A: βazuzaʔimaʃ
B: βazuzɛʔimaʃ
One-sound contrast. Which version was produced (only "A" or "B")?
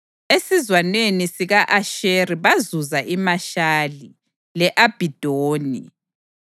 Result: A